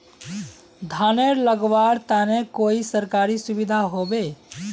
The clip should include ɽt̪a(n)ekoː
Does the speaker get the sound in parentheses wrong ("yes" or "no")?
no